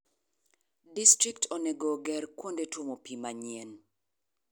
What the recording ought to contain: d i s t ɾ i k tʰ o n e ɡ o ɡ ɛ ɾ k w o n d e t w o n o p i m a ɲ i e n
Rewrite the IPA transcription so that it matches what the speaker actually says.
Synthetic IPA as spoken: d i s t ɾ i k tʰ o n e ɡ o ɡ ɛ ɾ k w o n d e t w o m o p i m a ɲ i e n